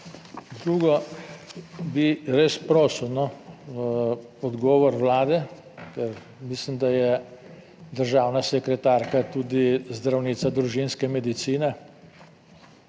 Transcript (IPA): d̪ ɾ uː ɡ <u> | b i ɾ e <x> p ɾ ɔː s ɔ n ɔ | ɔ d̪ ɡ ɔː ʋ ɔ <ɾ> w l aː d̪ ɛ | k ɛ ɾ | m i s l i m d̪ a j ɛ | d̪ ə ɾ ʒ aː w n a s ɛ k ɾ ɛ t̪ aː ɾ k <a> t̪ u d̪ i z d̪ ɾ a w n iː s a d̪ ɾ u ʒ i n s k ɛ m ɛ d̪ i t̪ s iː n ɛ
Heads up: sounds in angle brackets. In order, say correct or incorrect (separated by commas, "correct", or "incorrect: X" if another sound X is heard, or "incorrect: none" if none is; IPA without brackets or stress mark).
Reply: incorrect: ɔ, incorrect: s, correct, correct